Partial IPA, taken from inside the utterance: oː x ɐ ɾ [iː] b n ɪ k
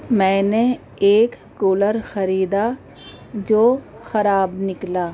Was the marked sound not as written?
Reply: yes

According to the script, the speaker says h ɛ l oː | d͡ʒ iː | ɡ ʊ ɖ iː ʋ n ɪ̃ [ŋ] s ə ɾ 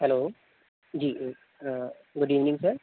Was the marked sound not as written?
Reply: no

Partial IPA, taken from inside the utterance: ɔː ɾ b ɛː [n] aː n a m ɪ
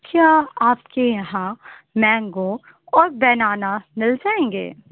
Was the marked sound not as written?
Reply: no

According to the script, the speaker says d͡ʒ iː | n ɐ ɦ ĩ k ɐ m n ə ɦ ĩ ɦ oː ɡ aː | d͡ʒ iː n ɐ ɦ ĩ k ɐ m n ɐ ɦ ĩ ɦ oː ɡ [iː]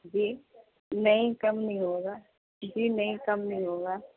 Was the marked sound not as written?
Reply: yes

